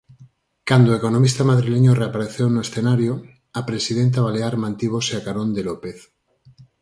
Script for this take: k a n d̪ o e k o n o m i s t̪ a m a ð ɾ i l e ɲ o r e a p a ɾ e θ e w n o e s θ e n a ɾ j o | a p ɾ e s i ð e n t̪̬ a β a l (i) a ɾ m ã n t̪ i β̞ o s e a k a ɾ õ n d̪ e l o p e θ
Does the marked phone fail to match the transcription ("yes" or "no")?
yes